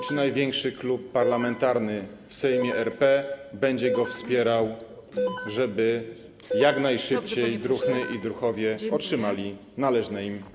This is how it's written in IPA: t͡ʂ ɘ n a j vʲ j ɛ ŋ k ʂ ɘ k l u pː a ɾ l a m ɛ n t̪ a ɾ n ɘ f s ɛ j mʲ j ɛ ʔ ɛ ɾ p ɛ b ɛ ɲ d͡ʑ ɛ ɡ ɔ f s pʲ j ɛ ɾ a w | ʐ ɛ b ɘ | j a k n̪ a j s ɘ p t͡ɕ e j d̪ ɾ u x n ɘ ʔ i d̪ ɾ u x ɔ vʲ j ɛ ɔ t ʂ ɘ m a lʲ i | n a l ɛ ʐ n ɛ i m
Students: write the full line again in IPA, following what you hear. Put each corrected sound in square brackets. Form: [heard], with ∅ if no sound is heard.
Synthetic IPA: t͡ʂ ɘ n a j vʲ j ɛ ŋ k ʂ ɘ k l u pː a ɾ l a m ɛ n t̪ a ɾ n ɘ f s ɛ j mʲ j ɛ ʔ ɛ ɾ p ɛ b ɛ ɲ d͡ʑ ɛ ɡ ɔ f s pʲ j ɛ ɾ a w | ʐ ɛ b ɘ | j a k n̪ a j [ʂ] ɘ p t͡ɕ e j d̪ ɾ u x n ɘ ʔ i d̪ ɾ u x ɔ vʲ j ɛ ɔ t ʂ ɘ m a lʲ i | n a l ɛ ʐ n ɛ i m